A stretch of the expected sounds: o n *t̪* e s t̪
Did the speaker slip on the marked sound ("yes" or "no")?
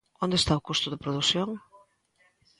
yes